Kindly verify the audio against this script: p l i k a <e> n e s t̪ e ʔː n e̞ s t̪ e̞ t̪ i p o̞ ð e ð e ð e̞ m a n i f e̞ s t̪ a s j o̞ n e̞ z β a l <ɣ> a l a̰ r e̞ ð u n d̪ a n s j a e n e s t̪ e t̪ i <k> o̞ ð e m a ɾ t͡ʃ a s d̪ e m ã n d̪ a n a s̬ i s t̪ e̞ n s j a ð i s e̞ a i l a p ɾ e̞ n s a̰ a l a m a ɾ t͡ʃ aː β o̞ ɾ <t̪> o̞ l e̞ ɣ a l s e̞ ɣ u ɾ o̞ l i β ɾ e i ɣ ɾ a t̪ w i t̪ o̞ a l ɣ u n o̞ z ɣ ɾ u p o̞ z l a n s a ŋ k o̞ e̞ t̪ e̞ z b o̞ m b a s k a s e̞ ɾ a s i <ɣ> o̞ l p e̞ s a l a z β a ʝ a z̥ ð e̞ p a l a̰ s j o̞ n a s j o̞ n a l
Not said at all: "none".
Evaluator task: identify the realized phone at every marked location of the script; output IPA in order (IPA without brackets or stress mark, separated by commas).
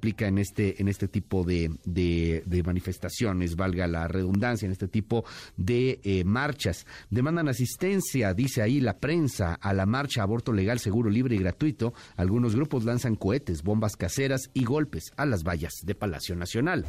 e, ɣ, p, t̪, ɣ